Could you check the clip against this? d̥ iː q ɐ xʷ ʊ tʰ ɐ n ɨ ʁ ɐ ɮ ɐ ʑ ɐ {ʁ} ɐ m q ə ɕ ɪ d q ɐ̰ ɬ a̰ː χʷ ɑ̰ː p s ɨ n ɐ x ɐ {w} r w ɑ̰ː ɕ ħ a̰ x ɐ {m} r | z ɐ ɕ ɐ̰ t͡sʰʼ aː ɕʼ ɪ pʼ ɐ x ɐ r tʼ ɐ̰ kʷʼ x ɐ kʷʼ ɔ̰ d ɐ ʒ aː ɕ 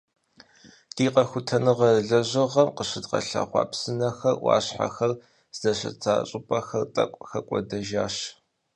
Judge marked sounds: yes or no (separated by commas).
yes, no, no